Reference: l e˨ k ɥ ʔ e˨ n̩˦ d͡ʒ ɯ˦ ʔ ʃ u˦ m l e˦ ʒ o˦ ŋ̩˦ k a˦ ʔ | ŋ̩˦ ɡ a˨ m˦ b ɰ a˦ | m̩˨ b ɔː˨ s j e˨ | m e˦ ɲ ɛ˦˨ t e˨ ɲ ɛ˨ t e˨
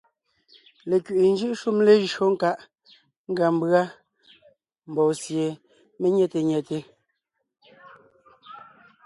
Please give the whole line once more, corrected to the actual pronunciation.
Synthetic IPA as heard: l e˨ k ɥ ʔ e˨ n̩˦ d͡ʒ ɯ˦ ʔ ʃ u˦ m l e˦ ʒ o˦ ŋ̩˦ k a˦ ʔ | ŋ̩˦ ɡ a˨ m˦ b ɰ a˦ | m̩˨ b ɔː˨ s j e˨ | m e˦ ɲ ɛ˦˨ t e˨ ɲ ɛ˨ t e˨